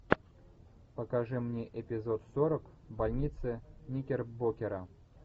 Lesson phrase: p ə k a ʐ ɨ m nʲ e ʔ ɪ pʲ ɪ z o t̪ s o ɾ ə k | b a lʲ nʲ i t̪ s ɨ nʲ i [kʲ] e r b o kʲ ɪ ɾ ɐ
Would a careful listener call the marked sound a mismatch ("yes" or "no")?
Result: no